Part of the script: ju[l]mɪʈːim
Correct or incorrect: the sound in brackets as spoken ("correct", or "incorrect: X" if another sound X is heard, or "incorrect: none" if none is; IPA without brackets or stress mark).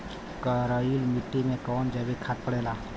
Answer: correct